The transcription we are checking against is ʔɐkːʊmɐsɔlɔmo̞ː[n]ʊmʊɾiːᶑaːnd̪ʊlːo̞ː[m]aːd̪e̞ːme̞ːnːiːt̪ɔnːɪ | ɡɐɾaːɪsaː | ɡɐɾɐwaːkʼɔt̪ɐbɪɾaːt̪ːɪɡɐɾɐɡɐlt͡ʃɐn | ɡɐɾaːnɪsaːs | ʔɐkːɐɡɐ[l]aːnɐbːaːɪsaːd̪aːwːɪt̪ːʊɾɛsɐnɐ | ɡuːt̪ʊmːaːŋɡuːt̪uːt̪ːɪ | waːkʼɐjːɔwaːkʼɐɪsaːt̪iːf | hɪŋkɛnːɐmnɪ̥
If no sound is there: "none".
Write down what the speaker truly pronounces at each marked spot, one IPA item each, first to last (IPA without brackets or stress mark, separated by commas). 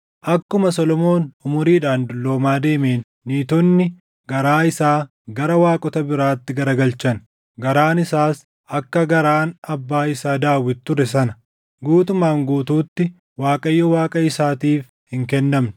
n, m, ɾ